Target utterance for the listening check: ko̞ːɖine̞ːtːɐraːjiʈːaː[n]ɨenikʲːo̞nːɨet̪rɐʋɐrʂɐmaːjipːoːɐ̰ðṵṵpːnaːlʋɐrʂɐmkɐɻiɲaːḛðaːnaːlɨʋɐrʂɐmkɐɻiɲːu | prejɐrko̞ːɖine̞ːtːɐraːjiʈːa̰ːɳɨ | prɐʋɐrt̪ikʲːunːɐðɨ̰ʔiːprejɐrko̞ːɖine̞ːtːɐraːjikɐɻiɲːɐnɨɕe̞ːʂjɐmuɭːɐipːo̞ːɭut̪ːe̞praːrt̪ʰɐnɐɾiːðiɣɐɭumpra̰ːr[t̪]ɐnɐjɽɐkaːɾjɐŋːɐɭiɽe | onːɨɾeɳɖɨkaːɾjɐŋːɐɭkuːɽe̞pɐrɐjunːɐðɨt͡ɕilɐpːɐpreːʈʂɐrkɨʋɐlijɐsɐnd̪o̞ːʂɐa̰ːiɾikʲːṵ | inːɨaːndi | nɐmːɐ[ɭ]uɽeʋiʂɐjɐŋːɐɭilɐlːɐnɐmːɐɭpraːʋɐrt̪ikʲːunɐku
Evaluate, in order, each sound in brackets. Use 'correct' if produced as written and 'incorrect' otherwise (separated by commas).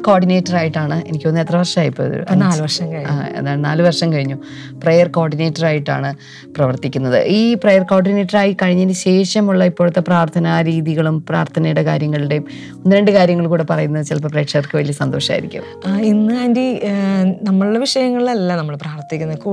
incorrect, incorrect, correct